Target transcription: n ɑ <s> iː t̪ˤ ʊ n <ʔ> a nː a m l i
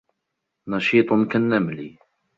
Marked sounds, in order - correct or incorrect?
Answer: incorrect, incorrect

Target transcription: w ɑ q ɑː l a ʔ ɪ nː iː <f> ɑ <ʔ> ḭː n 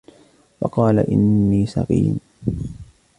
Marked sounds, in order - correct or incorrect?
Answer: incorrect, incorrect

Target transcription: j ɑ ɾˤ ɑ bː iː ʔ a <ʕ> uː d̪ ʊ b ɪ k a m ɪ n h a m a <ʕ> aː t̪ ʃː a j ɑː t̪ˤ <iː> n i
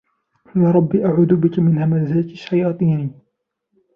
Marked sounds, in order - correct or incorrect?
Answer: correct, incorrect, correct

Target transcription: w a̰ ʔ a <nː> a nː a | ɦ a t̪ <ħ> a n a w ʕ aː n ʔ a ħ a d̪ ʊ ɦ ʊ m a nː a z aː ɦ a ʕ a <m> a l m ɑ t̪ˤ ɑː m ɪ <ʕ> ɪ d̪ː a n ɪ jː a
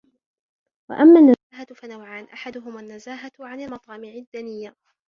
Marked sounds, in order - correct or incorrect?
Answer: incorrect, incorrect, incorrect, correct

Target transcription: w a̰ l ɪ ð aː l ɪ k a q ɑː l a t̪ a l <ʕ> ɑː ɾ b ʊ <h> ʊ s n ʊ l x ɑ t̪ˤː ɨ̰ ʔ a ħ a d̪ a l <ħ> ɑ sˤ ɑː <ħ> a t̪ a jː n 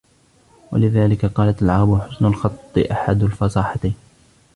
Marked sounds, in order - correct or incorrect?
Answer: correct, incorrect, incorrect, correct

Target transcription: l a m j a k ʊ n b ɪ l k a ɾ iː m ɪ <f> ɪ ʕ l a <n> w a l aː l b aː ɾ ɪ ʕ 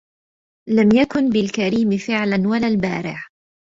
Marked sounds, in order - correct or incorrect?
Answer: correct, correct

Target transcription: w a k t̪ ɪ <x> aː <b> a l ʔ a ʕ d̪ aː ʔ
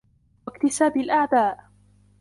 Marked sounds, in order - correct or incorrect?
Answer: incorrect, correct

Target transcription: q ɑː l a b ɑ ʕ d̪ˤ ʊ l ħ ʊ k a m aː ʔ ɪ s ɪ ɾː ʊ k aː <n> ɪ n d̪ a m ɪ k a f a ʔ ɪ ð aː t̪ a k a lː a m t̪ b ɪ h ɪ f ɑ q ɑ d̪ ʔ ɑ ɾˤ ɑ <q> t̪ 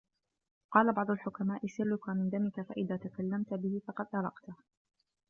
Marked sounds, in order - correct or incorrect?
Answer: incorrect, correct

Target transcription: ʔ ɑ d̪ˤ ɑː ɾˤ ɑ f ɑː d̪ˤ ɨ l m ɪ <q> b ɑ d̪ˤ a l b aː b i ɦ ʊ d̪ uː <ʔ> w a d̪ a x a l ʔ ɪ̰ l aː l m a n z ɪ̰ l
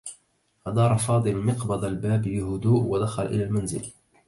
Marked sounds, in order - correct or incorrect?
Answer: correct, correct

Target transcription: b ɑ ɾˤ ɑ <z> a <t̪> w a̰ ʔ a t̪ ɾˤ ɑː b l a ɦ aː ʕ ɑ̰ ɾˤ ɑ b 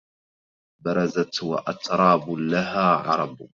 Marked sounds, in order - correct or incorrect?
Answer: correct, correct

